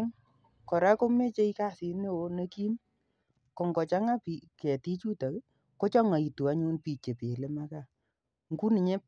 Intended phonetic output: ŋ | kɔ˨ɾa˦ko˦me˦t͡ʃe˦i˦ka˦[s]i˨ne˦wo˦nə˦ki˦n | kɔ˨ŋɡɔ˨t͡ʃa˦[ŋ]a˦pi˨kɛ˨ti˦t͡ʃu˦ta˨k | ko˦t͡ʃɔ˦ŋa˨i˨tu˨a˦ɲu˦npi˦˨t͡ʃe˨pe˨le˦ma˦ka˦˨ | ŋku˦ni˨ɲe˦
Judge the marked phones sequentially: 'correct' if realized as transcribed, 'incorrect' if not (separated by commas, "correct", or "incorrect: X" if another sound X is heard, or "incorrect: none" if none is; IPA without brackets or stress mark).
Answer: correct, correct